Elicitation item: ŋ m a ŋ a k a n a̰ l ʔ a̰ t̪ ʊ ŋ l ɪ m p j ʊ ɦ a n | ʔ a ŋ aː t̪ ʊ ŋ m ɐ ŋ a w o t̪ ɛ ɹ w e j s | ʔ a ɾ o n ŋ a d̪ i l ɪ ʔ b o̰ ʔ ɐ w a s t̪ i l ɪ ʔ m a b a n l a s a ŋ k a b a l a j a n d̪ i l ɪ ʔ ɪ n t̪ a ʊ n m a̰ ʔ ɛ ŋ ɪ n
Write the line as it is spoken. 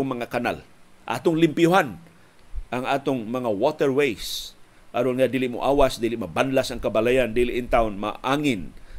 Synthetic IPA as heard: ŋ m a ŋ a k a n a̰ l ʔ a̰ t̪ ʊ ŋ l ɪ m p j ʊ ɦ a n | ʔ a ŋ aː t̪ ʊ ŋ m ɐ ŋ a w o t̪ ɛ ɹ w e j s | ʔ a ɾ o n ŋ a d̪ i l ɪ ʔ m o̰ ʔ a w a s d̪ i l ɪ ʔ m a b a n l a s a ŋ k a b a l a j a n d̪ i l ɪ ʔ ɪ n t̪ a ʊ n m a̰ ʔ a ŋ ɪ n